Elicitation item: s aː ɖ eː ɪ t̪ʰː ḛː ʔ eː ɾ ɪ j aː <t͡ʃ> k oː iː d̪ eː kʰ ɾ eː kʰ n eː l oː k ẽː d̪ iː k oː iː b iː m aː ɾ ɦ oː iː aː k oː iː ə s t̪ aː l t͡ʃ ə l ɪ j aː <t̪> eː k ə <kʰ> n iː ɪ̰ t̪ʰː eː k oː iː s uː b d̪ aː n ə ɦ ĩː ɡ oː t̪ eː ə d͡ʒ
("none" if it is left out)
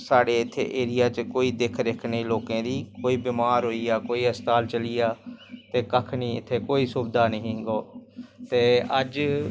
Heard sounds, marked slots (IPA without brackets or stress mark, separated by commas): t͡ʃ, t̪, kʰ